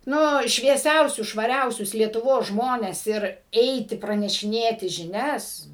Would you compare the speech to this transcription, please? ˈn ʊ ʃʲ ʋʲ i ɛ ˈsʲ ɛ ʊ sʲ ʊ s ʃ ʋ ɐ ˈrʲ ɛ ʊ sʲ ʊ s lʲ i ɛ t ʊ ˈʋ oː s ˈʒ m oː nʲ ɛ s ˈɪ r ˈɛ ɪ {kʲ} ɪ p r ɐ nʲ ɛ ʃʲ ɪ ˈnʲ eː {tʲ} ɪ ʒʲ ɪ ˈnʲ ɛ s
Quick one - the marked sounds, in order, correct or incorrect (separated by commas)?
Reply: incorrect, correct